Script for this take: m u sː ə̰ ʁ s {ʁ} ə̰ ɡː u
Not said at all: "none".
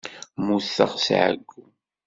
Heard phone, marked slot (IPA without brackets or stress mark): ʕ